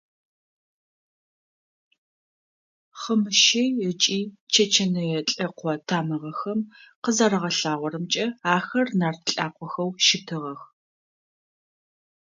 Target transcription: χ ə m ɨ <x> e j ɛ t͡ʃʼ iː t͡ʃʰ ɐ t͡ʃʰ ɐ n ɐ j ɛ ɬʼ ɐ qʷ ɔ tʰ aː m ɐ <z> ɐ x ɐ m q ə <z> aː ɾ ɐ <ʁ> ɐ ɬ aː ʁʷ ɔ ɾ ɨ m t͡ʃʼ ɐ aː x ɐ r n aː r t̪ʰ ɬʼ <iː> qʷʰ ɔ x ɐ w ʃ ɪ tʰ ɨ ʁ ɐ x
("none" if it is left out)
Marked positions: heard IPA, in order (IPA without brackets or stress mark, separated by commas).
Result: ʃ, ʁ, z, ʁ, aː